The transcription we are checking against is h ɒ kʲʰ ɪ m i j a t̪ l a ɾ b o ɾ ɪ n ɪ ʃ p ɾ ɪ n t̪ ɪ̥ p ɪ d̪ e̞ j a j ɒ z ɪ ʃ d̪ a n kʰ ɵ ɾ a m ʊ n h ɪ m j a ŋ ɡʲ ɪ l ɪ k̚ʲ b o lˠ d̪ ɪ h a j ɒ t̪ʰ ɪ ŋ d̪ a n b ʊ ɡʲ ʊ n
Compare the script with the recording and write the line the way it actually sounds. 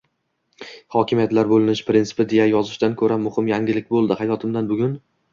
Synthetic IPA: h ɒ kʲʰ ɪ m i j a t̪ l a ɾ b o l ɪ n ɪ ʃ p ɾ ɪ n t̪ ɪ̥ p ɪ d̪ e̞ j a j ɒ z ɪ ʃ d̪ a n kʰ ɵ ɾ a m ʊ h ɪ m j a ŋ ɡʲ ɪ l ɪ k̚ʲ b o lˠ d̪ ɪ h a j ɒ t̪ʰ ɪ m d̪ a n b ʊ ɡʲ ʊ n